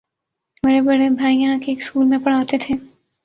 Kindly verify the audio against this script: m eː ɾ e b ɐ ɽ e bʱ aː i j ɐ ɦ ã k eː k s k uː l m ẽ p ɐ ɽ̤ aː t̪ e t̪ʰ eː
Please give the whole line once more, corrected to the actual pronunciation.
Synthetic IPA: m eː ɾ e b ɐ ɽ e bʱ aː i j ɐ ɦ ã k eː k s k uː l m ẽ p ɐ ɽ̤ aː t̪ e t̪ʰ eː